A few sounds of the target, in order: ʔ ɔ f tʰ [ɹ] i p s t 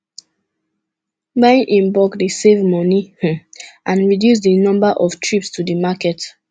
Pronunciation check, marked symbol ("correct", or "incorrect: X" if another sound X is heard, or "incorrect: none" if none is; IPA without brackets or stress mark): correct